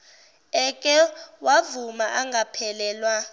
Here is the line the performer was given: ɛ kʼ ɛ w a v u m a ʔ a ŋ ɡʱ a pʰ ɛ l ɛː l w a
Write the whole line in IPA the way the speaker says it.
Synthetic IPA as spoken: ɛ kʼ ɛ w a v u m a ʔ a ŋ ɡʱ a pʰ ɛ l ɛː l w a